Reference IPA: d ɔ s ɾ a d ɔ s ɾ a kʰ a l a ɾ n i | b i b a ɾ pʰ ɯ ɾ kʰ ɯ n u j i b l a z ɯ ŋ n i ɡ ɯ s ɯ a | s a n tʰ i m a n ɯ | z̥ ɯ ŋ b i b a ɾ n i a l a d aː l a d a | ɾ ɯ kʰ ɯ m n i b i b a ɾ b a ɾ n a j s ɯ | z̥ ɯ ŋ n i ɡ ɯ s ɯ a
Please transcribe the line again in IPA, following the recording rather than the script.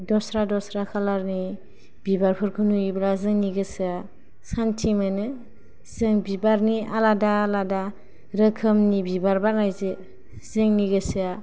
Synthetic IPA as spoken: d ɔ s ɾ a d ɔ s ɾ a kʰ a l a ɾ n i | b i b a ɾ pʰ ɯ ɾ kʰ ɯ n u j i b l a z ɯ ŋ n i ɡ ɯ s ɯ a | s a n tʰ i m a n ɯ | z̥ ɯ ŋ b i b a ɾ n i a l a d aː l a d a | ɾ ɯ kʰ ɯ m n i b i b a ɾ b a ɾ n a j z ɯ | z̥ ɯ ŋ n i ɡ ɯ s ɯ a